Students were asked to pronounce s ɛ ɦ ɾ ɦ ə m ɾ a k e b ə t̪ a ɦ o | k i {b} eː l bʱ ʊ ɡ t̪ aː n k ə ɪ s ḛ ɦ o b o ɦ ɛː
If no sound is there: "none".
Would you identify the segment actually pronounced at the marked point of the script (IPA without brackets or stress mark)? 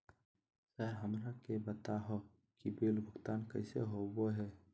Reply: b